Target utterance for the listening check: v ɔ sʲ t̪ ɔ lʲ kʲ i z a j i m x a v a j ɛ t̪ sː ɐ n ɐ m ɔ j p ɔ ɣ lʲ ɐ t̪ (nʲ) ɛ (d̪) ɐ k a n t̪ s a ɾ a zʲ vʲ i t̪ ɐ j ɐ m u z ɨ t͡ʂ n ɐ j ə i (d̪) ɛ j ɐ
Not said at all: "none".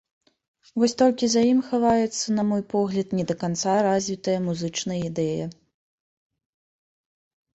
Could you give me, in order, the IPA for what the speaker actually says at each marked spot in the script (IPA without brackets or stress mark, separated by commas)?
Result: nʲ, d̪, d̪